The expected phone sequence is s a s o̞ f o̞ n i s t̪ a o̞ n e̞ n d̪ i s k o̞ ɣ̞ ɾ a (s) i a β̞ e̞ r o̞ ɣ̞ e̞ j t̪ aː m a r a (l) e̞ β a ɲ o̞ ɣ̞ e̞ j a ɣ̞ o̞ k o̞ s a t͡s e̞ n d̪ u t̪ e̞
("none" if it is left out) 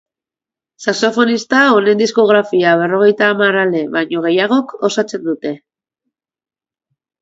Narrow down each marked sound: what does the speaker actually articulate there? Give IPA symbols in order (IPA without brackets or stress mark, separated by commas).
f, l